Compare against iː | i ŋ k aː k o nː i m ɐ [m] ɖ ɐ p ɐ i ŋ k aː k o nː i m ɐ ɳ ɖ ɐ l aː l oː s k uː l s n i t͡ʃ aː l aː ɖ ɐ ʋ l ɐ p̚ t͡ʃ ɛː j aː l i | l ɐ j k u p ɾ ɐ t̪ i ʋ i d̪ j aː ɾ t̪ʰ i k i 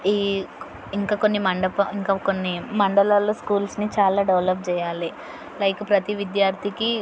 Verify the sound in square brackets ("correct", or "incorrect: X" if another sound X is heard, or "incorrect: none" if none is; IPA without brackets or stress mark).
incorrect: ɳ